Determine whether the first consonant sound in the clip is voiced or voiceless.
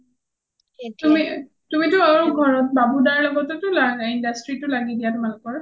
voiceless